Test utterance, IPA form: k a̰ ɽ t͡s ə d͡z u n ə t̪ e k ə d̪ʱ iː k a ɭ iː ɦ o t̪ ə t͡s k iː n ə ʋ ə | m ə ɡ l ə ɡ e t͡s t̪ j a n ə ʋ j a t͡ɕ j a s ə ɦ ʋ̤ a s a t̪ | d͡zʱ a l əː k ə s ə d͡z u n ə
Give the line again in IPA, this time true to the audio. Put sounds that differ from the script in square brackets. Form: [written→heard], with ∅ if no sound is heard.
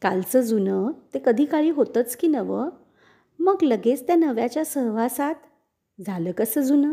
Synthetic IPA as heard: k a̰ [ɽ→l] t͡s ə d͡z u n ə t̪ e k ə d̪ʱ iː k a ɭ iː ɦ o t̪ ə t͡s k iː n ə ʋ ə | m ə ɡ l ə ɡ e t͡s t̪ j a n ə ʋ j a t͡ɕ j a s ə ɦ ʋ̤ a s a t̪ | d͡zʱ a l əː k ə s ə d͡z u n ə